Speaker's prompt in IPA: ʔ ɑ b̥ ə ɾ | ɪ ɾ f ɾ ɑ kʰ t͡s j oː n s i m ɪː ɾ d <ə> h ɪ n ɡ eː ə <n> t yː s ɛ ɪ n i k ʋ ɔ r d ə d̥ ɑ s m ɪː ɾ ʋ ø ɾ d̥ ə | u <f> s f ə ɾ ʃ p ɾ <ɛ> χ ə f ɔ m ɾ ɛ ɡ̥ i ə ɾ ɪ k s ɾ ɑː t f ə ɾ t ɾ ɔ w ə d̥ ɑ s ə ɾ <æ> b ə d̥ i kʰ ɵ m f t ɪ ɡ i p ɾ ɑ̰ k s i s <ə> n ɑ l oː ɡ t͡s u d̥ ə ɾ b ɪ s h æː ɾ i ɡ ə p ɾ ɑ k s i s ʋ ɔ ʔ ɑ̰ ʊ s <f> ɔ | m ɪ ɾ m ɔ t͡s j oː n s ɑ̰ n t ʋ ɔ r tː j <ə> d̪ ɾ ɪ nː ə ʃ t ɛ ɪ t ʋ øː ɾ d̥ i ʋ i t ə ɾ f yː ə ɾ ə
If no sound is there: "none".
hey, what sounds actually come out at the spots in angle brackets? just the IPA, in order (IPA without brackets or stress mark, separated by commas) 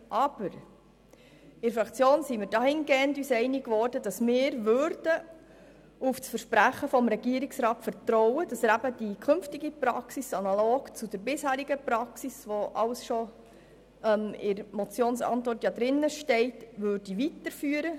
ɑ, n, f, æ, æ, ɑ, ʃ, ɑ